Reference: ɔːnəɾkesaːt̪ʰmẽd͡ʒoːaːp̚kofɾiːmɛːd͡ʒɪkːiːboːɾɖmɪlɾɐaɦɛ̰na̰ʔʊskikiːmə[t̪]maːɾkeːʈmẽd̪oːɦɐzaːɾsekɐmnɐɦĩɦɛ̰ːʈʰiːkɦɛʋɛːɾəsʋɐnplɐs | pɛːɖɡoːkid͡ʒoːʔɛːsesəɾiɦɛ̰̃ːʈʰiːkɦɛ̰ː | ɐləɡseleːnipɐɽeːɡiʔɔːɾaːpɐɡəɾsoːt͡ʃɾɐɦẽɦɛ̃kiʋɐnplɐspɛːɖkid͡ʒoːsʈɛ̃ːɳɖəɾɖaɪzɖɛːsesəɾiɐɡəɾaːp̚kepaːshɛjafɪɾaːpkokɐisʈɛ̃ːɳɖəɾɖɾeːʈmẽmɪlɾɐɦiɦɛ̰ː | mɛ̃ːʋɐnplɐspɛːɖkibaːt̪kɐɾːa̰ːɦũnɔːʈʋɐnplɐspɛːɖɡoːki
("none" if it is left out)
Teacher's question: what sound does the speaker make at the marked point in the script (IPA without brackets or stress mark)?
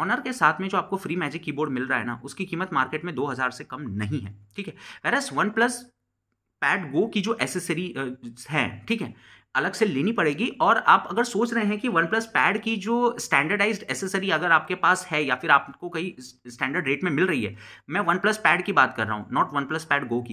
t̪